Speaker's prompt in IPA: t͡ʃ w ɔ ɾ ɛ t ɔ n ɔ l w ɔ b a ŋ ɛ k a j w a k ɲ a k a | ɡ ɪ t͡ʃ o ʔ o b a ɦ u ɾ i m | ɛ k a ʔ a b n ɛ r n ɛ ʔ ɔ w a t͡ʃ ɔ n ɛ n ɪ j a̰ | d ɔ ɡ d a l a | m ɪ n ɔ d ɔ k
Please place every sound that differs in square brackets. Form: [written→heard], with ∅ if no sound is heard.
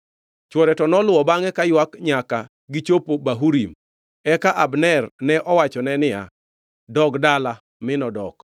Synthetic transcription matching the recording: t͡ʃ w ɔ ɾ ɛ t ɔ n ɔ l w ɔ b a ŋ ɛ k a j w a k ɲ a k a | ɡ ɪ t͡ʃ o [ʔ→p] o b a ɦ u ɾ i m | ɛ k a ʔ a b n ɛ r n ɛ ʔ ɔ w a t͡ʃ ɔ n ɛ n ɪ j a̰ | d ɔ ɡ d a l a | m ɪ n ɔ d ɔ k